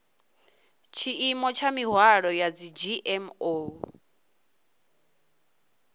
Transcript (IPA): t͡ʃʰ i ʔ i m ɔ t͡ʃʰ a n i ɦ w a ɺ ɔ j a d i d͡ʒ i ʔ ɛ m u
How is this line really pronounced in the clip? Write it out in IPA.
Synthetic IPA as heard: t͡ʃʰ i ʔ i m ɔ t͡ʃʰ a m i ɦ w a ɺ ɔ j a d͡z i d͡ʒ i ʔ ɛ m o